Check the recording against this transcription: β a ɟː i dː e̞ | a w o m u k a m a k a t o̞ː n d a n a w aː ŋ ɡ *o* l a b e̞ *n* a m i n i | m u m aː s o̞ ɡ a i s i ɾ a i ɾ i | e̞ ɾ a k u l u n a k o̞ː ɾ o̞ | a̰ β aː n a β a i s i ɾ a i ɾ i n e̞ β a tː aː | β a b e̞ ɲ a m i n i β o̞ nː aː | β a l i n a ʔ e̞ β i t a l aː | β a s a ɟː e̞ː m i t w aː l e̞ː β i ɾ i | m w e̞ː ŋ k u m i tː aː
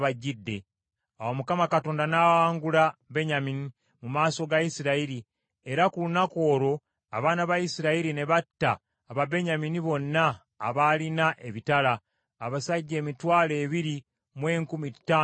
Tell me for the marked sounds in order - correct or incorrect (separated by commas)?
incorrect, incorrect